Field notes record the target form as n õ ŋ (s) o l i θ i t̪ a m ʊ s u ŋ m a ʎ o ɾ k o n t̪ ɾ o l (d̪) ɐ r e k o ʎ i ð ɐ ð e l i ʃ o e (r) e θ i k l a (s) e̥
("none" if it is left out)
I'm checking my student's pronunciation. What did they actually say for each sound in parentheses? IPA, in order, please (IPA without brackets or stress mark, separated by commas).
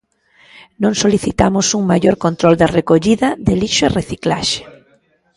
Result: s, d̪, r, ʃ